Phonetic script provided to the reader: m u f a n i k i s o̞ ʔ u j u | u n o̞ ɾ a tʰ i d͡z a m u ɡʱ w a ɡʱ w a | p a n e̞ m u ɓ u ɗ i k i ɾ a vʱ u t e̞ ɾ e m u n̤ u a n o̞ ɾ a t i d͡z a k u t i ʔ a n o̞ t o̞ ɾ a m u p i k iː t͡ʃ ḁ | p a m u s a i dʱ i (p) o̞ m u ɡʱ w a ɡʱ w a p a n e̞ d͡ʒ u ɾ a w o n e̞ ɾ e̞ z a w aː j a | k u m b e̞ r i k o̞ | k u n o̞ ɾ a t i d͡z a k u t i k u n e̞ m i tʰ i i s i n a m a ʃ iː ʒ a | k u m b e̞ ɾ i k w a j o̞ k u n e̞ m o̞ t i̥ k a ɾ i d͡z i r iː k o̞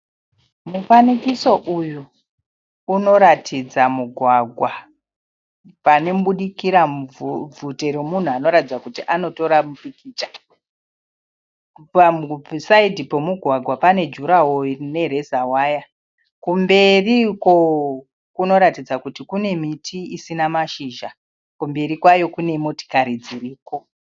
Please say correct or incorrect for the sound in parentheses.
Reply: correct